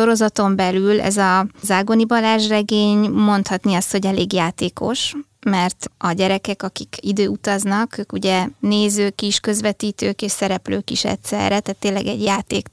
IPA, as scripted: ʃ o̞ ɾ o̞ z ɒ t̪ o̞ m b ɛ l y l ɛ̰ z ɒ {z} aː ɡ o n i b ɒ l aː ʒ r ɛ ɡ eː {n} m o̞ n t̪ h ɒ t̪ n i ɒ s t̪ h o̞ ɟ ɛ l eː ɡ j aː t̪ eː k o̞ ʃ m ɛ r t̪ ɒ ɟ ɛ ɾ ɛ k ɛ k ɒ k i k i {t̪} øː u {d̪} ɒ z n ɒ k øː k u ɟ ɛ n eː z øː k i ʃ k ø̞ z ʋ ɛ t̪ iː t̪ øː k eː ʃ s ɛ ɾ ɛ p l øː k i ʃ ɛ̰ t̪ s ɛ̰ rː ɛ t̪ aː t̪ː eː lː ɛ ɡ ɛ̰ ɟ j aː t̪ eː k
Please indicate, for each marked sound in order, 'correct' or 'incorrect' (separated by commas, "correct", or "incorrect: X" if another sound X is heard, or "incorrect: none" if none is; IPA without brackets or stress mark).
correct, incorrect: ɲ, incorrect: d̪, incorrect: t̪